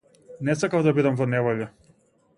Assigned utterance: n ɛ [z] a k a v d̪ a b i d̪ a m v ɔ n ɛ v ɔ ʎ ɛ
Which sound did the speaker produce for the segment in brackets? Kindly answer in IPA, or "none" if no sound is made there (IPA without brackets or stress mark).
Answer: s